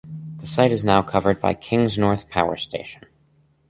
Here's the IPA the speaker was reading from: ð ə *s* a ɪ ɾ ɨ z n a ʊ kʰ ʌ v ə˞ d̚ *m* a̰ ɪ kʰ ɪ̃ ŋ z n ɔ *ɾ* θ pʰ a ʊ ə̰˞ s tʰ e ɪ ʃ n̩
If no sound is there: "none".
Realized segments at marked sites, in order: s, b, ɹ

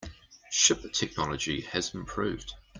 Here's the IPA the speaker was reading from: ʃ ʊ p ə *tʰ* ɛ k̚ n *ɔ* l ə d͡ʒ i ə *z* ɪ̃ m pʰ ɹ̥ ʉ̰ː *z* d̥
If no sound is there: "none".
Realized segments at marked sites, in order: tʰ, ɒ, z, v

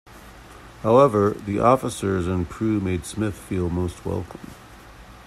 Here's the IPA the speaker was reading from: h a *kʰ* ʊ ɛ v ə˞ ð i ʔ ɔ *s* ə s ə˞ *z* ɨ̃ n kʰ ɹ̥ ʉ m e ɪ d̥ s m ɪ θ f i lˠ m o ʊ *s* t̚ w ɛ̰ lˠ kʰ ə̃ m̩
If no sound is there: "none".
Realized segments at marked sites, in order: none, f, z, s

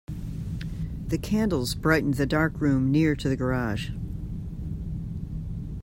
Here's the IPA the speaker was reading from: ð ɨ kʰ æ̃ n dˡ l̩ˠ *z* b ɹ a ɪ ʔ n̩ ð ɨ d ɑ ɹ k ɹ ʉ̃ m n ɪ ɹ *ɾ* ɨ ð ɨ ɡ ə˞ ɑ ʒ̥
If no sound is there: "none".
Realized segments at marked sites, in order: z, ɾ

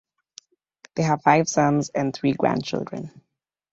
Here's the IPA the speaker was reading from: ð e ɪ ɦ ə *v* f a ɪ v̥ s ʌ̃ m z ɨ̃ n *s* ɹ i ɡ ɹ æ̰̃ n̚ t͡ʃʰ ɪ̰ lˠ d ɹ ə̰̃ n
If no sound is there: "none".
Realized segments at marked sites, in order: v, θ

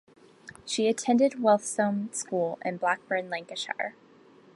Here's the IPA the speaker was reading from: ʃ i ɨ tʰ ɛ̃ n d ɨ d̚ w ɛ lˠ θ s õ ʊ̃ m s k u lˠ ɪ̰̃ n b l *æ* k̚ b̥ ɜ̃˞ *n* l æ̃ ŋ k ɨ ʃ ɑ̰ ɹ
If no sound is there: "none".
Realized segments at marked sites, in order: æ, n

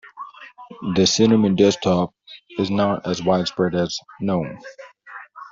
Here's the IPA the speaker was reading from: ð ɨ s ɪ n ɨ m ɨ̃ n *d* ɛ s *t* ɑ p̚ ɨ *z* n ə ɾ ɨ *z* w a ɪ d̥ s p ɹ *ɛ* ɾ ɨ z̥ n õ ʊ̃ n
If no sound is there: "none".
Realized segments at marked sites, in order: d, tʰ, z, z, ɛ

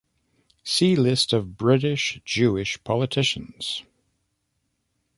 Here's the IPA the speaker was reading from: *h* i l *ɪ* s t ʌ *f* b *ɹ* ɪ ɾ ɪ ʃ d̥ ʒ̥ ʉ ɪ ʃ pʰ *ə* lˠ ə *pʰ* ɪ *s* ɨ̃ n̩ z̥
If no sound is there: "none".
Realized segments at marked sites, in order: s, ɪ, v, ɹ, ɑ, tʰ, ʃ

